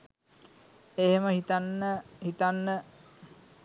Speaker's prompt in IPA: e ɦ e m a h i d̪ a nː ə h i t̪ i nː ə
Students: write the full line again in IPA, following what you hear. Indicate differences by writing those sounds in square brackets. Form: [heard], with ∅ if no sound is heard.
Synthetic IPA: e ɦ e m [ə] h i [t̪] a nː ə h i t̪ [a] nː ə